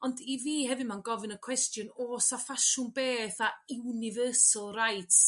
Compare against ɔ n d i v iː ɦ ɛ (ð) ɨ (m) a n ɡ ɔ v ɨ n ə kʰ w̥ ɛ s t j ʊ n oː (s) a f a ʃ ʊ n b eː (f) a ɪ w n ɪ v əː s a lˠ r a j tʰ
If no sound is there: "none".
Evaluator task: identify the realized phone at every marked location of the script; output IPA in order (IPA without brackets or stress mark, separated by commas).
v, m, s, θ